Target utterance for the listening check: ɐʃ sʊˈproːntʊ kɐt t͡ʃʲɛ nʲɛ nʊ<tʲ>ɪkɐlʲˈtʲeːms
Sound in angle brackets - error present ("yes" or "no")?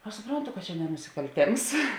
yes